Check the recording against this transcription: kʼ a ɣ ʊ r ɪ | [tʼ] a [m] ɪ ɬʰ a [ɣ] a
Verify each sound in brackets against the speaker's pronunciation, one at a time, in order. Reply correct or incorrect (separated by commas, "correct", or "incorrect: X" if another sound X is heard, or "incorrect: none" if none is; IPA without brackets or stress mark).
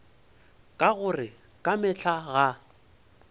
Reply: incorrect: kʼ, correct, correct